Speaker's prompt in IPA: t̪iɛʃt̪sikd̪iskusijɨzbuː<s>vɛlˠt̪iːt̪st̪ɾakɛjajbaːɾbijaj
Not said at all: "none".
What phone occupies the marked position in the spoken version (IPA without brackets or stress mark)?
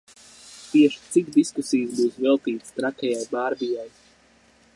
s